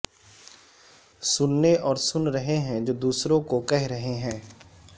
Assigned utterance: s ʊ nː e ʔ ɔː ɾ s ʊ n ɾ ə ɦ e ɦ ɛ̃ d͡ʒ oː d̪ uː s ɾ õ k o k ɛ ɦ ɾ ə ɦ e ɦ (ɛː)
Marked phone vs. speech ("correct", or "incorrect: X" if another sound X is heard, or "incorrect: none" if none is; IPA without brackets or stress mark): incorrect: ɛ̃ː